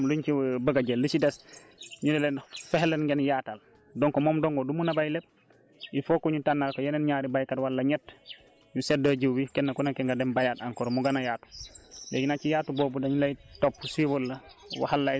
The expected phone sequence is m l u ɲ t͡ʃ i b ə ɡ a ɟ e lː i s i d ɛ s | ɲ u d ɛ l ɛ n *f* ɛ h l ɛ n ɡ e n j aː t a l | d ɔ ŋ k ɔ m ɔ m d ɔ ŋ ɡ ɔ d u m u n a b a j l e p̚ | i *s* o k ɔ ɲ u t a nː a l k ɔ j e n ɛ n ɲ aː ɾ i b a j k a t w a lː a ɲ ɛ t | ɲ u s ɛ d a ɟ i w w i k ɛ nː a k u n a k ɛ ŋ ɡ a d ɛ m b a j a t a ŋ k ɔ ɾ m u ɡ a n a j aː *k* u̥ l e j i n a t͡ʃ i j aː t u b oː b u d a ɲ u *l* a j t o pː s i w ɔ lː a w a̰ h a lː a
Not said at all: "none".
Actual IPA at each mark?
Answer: f, f, t, l

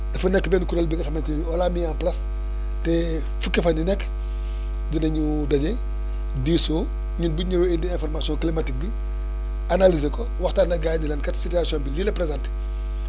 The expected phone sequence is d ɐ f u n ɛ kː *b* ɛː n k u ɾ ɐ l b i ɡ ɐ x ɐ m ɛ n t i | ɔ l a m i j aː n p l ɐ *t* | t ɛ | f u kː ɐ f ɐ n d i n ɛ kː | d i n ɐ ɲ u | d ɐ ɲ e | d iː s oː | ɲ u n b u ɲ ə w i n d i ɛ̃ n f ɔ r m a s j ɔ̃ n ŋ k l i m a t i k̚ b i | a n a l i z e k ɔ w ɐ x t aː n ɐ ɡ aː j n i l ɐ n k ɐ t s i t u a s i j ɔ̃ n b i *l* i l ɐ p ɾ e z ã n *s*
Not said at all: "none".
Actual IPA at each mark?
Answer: b, s, l, t

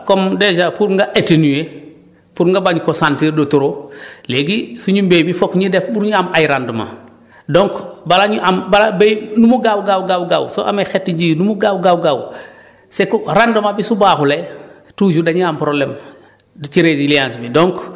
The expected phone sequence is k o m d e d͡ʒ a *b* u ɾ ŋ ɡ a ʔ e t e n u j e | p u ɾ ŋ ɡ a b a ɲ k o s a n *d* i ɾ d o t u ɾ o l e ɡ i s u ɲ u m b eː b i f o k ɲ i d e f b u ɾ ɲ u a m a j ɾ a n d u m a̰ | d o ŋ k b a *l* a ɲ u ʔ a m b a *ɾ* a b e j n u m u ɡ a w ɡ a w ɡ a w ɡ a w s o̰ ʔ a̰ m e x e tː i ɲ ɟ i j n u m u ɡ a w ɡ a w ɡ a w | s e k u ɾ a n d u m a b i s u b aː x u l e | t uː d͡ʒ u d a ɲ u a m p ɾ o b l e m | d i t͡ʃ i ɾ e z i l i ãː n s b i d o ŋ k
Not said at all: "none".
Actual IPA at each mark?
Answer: p, t, l, l

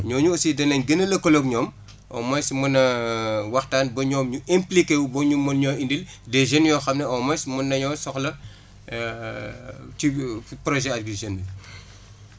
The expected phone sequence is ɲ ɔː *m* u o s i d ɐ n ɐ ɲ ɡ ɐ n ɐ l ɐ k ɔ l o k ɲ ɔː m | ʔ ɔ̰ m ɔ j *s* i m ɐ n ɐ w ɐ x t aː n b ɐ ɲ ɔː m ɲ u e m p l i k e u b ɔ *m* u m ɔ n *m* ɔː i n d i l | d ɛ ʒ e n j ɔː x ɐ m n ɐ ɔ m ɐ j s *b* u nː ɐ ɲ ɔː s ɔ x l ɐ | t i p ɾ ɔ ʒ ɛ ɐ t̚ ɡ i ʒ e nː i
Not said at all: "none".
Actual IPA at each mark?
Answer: ɲ, s, ɲ, ɲ, m

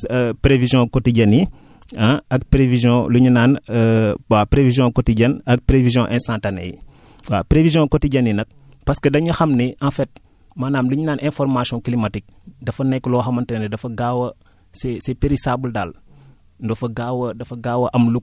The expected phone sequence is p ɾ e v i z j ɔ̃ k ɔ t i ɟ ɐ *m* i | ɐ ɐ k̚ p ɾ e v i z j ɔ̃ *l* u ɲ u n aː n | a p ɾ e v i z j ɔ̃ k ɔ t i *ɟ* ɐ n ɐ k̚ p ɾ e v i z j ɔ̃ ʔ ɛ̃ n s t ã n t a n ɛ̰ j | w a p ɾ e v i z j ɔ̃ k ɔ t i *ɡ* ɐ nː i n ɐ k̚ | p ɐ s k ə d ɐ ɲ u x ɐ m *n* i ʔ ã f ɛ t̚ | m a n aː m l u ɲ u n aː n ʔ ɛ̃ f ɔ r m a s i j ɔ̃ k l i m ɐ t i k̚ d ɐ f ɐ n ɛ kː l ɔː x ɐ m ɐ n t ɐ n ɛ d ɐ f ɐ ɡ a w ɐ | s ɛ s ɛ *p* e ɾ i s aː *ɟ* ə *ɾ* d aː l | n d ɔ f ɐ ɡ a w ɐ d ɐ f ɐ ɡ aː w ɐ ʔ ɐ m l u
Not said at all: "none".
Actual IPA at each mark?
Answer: n, l, ɟ, ɟ, n, p, b, l

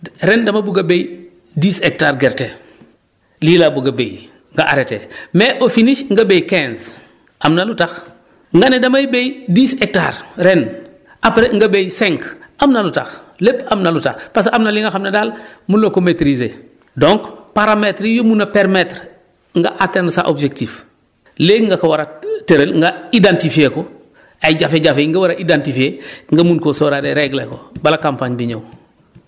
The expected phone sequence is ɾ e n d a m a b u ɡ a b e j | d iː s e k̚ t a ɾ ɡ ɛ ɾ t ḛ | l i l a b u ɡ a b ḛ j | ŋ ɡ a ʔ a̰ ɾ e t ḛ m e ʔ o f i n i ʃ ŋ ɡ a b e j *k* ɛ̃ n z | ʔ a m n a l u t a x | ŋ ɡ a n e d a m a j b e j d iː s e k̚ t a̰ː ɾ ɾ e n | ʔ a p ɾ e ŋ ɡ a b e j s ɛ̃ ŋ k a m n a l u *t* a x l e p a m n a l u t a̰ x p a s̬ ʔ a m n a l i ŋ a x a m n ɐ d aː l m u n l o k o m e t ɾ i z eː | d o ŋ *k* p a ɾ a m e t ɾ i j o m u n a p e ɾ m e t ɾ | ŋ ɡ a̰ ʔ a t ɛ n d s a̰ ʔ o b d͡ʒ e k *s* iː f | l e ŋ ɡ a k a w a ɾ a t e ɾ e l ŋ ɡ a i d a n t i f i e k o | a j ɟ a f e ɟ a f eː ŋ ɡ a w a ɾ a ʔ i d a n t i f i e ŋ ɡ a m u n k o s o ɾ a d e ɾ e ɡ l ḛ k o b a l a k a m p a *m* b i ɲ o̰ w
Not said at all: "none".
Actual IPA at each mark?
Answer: k, t, k, t, ɲ

